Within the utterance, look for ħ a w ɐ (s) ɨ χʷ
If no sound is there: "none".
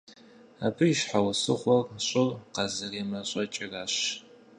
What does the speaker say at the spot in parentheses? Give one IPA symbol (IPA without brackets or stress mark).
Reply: s